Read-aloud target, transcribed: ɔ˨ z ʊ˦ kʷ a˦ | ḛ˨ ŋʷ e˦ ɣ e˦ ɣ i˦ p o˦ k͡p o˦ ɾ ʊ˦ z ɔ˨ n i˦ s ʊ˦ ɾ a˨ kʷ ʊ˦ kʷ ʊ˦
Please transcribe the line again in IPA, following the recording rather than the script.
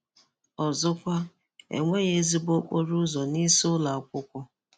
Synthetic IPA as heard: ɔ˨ z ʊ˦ kʷ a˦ | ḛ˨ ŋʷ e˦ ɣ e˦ z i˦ b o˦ k͡p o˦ ɾ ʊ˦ z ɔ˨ n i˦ s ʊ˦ l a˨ kʷ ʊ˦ kʷ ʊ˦